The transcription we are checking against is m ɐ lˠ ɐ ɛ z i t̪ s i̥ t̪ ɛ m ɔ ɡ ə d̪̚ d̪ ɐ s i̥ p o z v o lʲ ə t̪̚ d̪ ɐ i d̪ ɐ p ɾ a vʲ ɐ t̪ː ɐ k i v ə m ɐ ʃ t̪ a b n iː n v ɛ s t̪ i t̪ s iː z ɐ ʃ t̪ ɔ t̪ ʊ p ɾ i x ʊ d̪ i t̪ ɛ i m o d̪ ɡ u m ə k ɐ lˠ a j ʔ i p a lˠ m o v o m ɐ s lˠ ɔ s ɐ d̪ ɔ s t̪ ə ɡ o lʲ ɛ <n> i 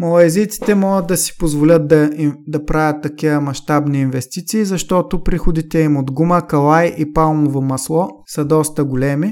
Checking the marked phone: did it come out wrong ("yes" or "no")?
yes